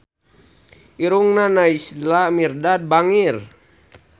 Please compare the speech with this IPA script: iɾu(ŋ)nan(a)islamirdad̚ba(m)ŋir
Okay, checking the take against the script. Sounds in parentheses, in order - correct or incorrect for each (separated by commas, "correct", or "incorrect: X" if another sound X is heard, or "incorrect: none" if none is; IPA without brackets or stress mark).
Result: correct, correct, incorrect: none